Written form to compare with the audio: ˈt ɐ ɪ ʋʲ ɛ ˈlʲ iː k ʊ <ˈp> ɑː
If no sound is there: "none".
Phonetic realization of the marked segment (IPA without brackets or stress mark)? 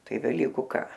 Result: k